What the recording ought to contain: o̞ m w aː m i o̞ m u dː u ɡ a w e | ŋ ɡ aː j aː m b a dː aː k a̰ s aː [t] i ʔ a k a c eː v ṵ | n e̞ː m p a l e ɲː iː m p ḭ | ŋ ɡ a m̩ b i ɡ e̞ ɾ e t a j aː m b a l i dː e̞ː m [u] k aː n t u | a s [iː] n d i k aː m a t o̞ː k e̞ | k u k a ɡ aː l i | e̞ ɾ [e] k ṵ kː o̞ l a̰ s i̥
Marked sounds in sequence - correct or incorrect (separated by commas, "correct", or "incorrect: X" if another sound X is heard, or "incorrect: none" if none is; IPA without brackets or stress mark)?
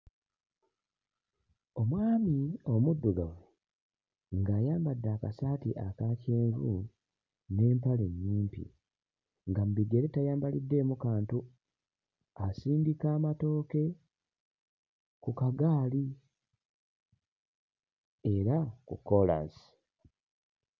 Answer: correct, correct, correct, incorrect: a